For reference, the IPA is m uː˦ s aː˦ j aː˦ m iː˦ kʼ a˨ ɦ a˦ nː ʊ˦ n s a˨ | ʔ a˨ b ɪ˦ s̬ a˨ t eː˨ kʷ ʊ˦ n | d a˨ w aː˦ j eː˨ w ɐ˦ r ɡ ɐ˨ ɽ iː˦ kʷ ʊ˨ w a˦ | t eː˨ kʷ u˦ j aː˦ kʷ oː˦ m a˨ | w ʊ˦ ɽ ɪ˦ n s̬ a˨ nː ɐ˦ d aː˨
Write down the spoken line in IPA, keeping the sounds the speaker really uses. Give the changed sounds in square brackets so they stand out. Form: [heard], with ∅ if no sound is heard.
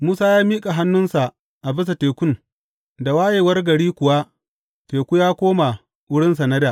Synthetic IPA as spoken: m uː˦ s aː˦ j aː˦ m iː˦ kʼ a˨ ɦ a˦ nː ʊ˦ n s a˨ | ʔ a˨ b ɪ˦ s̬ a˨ t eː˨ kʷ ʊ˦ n | d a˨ w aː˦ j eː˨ w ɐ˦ r ɡ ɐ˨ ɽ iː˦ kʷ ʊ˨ w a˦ | t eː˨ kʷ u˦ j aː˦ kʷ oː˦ m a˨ | w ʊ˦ ɽ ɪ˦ n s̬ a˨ [n] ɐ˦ d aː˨

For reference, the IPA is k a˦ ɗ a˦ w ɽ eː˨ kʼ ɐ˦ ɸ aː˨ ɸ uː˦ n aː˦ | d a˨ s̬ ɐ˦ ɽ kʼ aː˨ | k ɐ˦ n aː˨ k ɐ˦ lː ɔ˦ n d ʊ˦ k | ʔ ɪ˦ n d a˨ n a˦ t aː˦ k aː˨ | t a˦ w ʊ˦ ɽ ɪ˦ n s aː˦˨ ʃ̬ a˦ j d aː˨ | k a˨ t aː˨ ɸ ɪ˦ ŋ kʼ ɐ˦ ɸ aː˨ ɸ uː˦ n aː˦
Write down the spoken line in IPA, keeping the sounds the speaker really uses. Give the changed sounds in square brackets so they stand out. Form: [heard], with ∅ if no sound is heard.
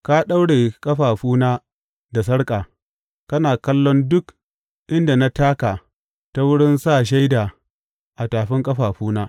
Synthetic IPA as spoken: k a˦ ɗ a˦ w ɽ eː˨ kʼ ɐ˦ ɸ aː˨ ɸ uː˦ n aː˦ | d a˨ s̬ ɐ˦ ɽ kʼ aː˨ | k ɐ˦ n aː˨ k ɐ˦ lː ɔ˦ n d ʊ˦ k | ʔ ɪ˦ n d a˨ n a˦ t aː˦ k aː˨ | t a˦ w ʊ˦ ɽ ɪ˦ n s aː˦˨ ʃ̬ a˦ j d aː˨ | [ʔ] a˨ t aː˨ ɸ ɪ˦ ŋ kʼ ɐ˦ ɸ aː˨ ɸ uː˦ n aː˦

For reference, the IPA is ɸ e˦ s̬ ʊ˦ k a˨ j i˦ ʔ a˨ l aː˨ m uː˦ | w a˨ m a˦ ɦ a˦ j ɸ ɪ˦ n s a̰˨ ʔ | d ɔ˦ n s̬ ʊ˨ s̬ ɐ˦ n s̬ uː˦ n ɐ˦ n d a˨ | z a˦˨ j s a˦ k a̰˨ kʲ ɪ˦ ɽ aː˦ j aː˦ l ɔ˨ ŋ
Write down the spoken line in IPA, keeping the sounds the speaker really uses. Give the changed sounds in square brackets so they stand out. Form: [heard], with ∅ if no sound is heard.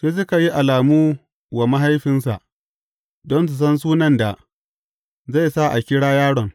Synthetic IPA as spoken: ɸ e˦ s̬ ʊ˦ k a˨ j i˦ ʔ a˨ l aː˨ m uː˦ | w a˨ m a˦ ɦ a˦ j ɸ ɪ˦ n s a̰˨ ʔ | d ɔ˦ n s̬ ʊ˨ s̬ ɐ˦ n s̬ uː˦ n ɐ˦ n d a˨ | z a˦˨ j s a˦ [ʔ] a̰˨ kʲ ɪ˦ ɽ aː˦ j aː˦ [ɽ] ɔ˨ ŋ

